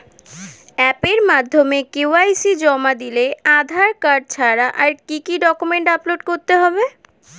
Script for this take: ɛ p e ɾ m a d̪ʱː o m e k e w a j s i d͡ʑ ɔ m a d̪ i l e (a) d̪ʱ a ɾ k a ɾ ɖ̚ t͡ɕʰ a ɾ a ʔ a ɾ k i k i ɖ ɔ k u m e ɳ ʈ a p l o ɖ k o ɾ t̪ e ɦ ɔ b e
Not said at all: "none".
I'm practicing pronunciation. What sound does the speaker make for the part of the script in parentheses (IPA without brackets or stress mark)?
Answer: a